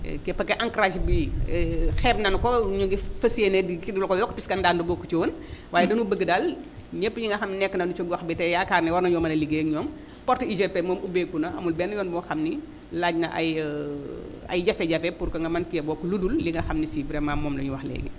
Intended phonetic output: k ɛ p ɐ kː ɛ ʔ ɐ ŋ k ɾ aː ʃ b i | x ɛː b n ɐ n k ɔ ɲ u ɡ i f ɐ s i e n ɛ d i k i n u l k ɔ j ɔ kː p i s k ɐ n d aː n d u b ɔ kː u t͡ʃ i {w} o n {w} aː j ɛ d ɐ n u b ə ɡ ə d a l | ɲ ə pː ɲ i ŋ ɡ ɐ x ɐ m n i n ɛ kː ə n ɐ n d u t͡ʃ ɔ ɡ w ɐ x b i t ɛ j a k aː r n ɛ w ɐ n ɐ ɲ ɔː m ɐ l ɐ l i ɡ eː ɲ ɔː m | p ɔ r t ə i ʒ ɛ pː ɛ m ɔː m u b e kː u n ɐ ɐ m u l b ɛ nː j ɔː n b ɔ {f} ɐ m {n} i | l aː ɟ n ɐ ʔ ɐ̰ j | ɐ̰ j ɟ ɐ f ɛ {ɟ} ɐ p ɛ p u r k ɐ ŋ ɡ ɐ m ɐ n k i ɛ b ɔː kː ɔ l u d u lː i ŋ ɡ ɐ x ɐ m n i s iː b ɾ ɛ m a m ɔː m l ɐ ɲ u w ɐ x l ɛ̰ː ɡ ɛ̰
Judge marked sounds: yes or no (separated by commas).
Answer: yes, yes, no, yes, yes